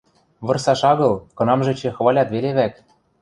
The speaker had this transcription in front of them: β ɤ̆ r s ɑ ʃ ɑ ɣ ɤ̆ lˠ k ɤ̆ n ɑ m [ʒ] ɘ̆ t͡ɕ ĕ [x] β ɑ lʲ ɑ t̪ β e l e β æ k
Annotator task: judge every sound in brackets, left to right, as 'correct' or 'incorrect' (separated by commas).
correct, correct